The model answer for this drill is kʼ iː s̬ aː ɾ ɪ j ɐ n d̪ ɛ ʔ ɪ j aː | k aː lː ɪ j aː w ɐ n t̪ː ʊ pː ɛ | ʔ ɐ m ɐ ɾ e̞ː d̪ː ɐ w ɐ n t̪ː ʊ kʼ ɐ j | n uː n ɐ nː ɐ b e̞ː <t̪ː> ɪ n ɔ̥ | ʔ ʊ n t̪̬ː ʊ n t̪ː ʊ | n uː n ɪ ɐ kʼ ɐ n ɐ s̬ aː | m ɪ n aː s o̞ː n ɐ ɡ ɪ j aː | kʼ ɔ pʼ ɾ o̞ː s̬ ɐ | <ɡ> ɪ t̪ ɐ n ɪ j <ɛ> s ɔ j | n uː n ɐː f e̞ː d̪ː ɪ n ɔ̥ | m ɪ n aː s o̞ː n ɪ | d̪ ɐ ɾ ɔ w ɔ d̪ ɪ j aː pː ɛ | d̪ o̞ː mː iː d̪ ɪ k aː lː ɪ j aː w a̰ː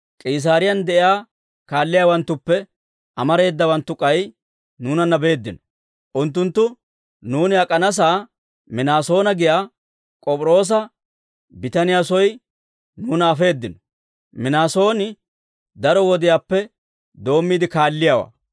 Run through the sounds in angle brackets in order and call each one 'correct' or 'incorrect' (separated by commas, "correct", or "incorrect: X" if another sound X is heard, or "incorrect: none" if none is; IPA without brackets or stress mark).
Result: incorrect: d̪ː, incorrect: b, incorrect: a